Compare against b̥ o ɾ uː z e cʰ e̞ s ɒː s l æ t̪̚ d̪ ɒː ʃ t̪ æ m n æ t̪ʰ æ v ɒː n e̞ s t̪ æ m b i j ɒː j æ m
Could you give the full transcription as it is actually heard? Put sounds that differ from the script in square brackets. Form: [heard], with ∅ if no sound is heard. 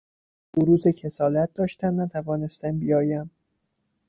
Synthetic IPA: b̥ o ɾ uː z e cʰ e̞ s ɒː [∅] l æ t̪̚ d̪ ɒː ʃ t̪ æ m n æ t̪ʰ æ v ɒː n e̞ s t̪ æ m b i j ɒː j æ m